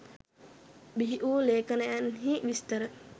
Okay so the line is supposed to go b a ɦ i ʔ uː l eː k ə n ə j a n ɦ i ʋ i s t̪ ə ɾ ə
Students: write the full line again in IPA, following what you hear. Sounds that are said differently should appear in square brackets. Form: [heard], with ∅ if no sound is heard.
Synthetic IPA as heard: b [i] ɦ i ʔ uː l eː k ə n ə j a n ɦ i ʋ i s t̪ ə ɾ ə

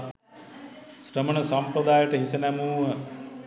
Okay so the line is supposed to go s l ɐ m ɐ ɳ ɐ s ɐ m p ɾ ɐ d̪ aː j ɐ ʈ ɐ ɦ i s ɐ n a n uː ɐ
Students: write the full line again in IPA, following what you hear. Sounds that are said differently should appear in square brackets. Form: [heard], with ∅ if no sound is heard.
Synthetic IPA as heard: s [ɾ] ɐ m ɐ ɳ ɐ s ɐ m p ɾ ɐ d̪ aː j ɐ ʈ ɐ ɦ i s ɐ n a [m] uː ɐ

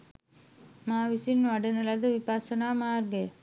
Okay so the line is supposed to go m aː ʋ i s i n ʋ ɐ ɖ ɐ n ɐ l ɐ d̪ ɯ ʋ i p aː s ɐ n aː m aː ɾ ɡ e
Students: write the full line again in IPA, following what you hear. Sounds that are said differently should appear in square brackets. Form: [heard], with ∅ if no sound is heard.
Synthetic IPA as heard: m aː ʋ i s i n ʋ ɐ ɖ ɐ n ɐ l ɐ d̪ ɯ ʋ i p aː s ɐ n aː m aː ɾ ɡ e

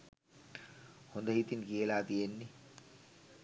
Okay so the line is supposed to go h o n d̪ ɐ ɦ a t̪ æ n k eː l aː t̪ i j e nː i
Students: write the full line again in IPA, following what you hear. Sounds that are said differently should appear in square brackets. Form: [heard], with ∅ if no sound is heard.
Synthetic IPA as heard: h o n d̪ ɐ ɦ [i] t̪ [i] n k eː l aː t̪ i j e nː i

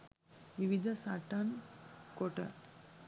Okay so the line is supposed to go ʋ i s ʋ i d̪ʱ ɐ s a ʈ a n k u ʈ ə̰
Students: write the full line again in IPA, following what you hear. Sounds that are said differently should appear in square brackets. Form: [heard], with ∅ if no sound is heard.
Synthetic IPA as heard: ʋ i [∅] ʋ i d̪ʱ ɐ s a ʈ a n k [o] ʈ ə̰

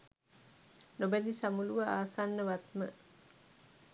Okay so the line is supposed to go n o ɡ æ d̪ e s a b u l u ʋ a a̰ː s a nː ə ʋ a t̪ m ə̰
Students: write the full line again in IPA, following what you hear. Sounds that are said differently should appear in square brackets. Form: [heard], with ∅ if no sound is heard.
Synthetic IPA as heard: n o [b] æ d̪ [i] s a [m] u l u ʋ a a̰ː s a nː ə ʋ a t̪ m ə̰

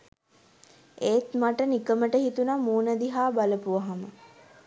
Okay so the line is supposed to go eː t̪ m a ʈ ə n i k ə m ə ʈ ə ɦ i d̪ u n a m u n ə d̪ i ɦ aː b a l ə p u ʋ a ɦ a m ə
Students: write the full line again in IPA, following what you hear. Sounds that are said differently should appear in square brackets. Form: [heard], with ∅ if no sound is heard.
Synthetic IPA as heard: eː t̪ m a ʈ ə n i k ə m ə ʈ ə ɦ i [t̪] u n a m [uː] n ə d̪ i ɦ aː b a l ə p u ʋ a ɦ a m ə

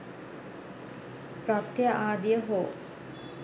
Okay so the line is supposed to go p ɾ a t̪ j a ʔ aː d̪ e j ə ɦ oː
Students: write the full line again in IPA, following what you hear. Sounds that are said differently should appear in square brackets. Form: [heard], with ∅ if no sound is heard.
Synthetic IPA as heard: p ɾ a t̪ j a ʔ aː d̪ [i] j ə ɦ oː

